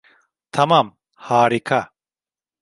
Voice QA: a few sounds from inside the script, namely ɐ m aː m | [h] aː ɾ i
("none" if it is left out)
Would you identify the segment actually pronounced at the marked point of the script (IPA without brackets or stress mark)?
h